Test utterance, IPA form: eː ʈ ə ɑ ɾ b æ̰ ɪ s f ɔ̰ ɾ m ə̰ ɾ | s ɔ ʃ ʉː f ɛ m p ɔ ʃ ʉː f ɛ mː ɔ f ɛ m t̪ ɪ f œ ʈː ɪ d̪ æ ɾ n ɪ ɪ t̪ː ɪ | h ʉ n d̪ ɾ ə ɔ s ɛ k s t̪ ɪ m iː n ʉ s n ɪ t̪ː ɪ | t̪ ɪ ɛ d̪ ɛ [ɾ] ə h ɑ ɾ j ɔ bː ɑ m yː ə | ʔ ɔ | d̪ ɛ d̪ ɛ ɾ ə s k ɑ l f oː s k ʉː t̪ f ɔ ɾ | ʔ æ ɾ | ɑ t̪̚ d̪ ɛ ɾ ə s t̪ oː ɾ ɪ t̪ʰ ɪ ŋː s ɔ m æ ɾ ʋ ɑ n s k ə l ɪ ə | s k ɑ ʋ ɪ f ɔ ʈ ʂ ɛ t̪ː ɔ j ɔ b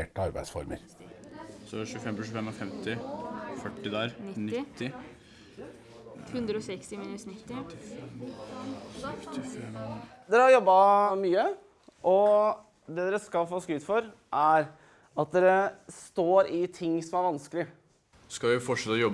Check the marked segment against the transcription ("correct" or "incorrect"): correct